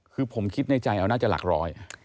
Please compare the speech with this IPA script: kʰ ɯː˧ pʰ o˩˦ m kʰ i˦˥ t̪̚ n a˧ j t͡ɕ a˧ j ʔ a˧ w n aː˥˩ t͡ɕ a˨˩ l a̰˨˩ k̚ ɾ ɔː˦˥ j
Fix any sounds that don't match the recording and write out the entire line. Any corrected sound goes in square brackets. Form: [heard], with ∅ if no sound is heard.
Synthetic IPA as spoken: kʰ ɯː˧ pʰ o˩˦ m kʰ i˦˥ t̪̚ n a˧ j t͡ɕ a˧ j ʔ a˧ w n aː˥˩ t͡ɕ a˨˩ l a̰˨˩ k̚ ɾ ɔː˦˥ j